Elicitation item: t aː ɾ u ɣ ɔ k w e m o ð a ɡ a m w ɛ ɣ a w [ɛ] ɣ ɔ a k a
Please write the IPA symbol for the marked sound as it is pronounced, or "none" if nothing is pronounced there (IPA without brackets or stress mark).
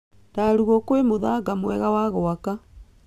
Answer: a